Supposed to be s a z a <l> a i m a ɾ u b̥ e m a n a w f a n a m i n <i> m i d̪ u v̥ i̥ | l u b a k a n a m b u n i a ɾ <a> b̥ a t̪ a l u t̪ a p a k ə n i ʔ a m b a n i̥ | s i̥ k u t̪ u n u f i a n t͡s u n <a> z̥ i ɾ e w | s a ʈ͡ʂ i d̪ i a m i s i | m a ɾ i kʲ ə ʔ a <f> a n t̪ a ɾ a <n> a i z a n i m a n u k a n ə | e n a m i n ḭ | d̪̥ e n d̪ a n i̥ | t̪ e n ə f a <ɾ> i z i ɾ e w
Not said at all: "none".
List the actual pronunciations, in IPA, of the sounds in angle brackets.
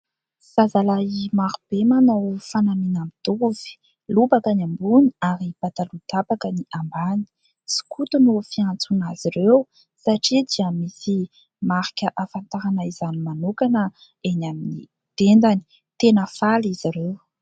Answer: l, a, i, a, f, n, l

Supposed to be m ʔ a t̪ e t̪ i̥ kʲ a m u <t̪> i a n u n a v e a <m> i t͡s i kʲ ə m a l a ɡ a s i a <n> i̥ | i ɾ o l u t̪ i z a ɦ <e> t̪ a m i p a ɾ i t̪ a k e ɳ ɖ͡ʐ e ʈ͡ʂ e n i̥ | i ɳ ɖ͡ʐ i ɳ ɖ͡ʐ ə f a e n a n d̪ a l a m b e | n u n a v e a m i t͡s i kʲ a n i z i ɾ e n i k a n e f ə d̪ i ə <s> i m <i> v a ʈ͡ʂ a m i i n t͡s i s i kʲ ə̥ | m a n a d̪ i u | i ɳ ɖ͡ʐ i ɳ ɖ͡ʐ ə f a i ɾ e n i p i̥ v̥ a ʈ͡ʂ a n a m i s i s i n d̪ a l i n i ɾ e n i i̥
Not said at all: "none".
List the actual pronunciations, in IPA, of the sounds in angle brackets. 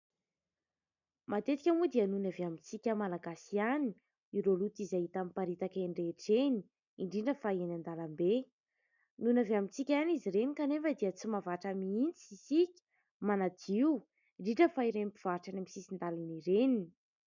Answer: d̪, m, n, i, t͡s, a

